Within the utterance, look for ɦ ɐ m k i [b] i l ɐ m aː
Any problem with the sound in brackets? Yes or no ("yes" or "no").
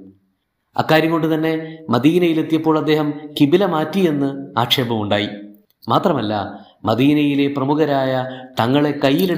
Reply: no